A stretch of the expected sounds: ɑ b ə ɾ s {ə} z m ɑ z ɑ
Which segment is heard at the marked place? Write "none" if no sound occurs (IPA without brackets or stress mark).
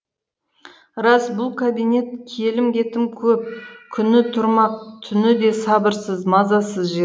ə